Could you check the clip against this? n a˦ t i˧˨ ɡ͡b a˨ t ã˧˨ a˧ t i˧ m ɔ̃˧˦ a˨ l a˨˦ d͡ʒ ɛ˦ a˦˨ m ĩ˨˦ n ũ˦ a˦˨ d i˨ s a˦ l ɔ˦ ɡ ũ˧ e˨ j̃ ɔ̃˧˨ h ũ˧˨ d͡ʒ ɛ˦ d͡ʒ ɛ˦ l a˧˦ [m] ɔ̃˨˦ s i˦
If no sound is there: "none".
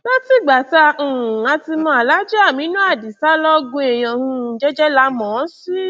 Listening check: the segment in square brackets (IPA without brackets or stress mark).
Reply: m